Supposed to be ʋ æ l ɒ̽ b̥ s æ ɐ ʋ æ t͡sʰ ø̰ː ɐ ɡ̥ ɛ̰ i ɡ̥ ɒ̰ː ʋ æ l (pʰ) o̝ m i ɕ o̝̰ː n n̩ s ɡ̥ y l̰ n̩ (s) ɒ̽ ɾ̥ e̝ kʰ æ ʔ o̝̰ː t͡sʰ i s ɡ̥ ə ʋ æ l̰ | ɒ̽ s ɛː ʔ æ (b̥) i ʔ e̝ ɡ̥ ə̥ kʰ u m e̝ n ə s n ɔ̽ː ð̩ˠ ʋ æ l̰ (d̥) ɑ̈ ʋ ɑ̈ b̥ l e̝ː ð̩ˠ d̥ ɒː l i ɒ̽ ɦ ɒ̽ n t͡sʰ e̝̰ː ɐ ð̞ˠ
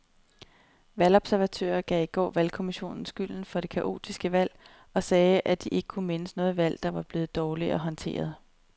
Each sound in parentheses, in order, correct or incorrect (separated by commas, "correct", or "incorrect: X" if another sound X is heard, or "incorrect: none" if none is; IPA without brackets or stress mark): incorrect: kʰ, incorrect: f, incorrect: d̥, correct